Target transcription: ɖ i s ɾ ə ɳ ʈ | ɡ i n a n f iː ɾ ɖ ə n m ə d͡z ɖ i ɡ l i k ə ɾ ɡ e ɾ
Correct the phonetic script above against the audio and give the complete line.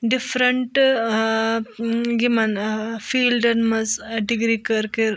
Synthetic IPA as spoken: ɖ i f ɾ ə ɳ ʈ | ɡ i m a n f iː l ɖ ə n m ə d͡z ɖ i ɡ ɾ i k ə ɾ k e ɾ